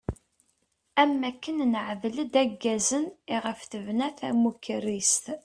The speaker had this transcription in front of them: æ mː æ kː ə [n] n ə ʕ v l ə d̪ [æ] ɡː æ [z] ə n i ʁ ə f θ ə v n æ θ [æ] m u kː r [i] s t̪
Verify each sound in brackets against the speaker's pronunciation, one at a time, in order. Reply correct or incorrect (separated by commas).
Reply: correct, correct, correct, correct, correct